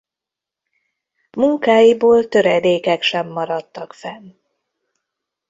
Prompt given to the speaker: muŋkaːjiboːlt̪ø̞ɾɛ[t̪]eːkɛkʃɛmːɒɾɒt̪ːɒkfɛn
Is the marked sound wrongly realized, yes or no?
yes